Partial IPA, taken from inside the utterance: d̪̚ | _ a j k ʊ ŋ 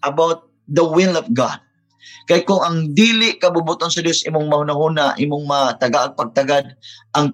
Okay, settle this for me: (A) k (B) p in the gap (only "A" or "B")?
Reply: A